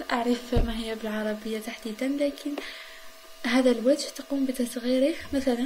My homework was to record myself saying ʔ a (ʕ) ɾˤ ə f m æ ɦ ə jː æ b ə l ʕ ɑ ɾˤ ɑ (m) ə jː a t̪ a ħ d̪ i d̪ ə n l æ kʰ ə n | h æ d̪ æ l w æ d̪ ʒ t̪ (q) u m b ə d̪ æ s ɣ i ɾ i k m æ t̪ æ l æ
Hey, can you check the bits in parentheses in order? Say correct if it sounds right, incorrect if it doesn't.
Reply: correct, incorrect, correct

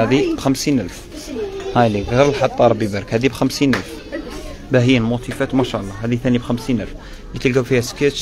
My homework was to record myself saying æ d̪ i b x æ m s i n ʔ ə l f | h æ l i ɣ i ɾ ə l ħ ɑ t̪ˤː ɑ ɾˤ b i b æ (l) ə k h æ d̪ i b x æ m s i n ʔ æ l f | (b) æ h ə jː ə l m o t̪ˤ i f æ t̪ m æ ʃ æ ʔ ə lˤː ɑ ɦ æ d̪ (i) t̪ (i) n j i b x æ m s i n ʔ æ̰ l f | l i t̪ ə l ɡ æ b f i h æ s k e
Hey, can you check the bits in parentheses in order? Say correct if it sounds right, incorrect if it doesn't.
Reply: incorrect, correct, correct, incorrect

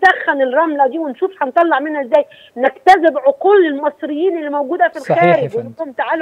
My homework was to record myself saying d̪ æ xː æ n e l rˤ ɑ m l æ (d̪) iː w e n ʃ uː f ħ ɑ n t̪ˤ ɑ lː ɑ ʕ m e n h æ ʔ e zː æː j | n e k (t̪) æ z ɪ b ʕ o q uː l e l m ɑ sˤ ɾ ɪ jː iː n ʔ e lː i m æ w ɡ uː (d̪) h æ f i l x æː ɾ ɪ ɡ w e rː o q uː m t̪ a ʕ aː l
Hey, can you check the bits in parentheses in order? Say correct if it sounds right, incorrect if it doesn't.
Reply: correct, correct, correct

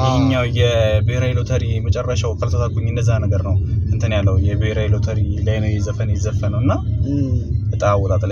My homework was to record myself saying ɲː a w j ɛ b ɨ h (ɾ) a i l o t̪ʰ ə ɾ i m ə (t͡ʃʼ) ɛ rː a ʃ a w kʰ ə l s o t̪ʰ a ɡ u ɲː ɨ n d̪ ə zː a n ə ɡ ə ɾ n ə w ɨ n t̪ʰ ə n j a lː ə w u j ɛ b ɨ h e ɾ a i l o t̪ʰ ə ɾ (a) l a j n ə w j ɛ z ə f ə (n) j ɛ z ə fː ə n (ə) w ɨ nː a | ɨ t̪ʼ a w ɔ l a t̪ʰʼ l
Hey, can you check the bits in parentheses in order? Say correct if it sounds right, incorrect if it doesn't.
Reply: correct, correct, incorrect, correct, correct

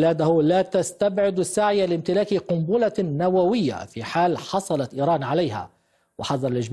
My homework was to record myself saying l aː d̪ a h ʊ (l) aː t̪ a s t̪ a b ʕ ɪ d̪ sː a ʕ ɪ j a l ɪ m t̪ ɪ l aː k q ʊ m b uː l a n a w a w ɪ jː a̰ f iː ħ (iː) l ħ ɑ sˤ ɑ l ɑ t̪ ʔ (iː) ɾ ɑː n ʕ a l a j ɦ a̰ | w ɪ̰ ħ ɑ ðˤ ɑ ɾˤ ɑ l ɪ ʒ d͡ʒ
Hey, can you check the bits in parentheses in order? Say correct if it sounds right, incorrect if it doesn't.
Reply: correct, incorrect, correct

